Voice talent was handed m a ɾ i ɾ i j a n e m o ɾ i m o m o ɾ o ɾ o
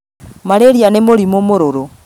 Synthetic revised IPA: m a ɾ e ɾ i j a n e m o ɾ i m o m o ɾ o ɾ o